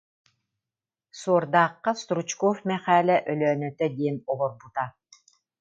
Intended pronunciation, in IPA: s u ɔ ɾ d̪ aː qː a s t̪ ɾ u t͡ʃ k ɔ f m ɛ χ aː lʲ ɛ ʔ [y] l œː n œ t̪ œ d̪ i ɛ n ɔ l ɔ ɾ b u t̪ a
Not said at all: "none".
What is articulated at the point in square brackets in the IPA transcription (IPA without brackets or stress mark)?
œ